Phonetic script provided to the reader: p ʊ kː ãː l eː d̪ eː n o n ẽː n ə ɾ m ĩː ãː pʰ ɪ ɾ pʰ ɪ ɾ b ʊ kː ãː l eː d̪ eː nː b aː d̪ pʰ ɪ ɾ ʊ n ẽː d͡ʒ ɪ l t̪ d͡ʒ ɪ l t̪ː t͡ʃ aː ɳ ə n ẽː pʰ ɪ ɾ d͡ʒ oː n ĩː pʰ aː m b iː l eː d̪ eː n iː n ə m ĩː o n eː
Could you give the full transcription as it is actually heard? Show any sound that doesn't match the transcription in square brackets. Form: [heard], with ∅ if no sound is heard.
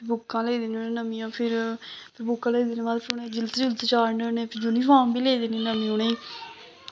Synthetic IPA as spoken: [b] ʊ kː ãː l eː d̪ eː n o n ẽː n ə [∅] m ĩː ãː pʰ ɪ ɾ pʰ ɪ ɾ b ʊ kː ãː l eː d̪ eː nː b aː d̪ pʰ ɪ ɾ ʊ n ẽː d͡ʒ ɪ l t̪ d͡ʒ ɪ l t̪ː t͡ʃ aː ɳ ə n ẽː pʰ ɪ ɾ d͡ʒ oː n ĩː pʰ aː m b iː l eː d̪ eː n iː n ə m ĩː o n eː